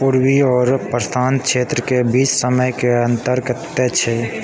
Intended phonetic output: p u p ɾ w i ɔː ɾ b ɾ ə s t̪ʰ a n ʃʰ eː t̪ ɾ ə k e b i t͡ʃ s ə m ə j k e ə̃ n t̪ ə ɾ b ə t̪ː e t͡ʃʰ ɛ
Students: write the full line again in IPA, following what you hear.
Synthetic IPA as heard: p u ɾ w i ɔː ɾ p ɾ ə s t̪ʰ a n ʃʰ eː t̪ ɾ ə k e b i t͡ʃ s ə m ə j k e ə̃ n t̪ ə ɾ ɡ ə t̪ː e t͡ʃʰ ɛ